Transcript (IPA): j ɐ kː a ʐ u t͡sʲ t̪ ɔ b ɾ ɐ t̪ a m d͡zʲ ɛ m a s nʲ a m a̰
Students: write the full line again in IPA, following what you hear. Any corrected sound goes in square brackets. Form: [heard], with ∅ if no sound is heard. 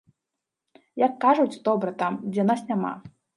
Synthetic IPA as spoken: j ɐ kː a ʐ u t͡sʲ [d̪] ɔ b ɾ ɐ t̪ a m d͡zʲ ɛ [n] a s nʲ a m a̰

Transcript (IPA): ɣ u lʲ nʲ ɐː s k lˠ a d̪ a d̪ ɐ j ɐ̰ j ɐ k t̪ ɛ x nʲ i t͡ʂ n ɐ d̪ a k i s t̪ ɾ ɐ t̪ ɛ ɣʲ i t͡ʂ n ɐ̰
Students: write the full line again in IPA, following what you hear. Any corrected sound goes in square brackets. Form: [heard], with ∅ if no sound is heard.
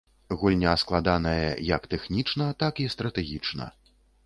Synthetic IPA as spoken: ɣ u lʲ nʲ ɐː s k lˠ a d̪ a [n̪] ɐ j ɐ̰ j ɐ k t̪ ɛ x nʲ i t͡ʂ n ɐ [t̪] a k i s t̪ ɾ ɐ t̪ ɛ ɣʲ i t͡ʂ n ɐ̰

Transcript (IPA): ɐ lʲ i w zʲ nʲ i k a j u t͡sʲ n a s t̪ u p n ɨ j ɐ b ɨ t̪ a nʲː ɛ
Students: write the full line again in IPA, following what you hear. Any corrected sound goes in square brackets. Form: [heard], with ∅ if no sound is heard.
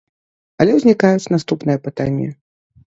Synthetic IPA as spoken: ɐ lʲ [ɛ] w zʲ nʲ i k a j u t͡sʲ n a s t̪ u p n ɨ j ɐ [p] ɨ t̪ a nʲː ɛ

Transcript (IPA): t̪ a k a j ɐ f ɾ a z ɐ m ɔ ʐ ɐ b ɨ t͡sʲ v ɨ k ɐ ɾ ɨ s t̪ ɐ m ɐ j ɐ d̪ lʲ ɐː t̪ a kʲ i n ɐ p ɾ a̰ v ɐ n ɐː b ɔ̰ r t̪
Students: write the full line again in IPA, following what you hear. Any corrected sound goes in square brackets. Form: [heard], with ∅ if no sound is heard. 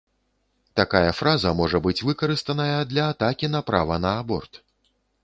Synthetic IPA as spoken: t̪ a k a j ɐ f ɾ a z ɐ m ɔ ʐ ɐ b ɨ t͡sʲ v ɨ k ɐ ɾ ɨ s t̪ ɐ [n] ɐ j ɐ d̪ lʲ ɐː t̪ a kʲ i n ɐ p ɾ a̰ v ɐ n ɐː b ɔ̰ r t̪

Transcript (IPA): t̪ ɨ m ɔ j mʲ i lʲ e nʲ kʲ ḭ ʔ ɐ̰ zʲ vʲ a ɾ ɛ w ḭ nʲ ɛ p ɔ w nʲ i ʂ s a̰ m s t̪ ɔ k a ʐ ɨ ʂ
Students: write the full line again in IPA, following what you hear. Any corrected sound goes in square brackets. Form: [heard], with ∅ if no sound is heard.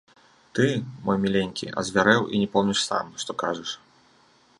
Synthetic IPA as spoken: t̪ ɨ m ɔ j mʲ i lʲ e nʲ kʲ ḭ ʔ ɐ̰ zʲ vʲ a ɾ ɛ w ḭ nʲ ɛ p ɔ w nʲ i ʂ s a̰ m [ʂ] t̪ ɔ k a ʐ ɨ ʂ

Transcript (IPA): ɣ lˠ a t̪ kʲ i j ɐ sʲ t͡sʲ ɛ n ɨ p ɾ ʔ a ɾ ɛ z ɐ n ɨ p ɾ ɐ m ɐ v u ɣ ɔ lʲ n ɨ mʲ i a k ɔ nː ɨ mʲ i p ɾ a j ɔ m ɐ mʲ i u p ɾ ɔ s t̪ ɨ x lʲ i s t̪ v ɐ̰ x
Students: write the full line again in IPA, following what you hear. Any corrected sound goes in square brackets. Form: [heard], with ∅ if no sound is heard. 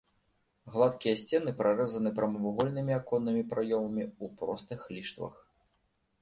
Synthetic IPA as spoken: ɣ lˠ a t̪ kʲ i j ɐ sʲ t͡sʲ ɛ n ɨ p ɾ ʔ a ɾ ɛ z ɐ n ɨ p ɾ ɐ m ɐ v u ɣ ɔ lʲ n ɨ mʲ i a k ɔ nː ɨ mʲ i p ɾ a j ɔ m ɐ mʲ i u p ɾ ɔ s t̪ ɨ x lʲ i [ʂ] t̪ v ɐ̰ x

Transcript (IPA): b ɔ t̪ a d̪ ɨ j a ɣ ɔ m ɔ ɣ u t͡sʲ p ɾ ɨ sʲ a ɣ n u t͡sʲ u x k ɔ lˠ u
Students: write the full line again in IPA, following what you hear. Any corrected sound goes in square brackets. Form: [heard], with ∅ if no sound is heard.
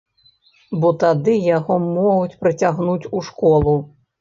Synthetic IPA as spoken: b ɔ t̪ a d̪ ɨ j a ɣ ɔ m ɔ ɣ u t͡sʲ p ɾ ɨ [t͡sʲ] a ɣ n u t͡sʲ u [ʂ] k ɔ lˠ u

